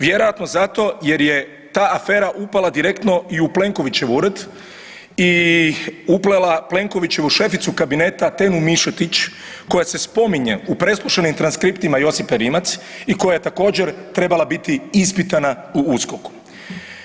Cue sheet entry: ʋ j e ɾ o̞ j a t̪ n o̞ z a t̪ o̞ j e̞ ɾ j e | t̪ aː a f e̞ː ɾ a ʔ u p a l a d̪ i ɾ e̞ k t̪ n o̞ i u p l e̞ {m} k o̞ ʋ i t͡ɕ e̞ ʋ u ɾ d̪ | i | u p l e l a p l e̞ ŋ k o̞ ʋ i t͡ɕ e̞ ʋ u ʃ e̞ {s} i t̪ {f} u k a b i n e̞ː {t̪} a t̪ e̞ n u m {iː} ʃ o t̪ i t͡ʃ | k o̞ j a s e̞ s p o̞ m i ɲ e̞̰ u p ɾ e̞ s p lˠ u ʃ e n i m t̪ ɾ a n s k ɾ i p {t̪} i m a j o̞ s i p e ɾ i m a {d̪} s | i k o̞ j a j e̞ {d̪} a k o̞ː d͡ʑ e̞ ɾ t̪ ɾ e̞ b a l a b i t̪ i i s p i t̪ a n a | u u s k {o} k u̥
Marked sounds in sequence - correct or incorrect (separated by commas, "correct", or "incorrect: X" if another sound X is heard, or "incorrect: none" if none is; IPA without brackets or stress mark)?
incorrect: ŋ, incorrect: f, incorrect: s, correct, incorrect: i, correct, incorrect: t̪, incorrect: t̪, correct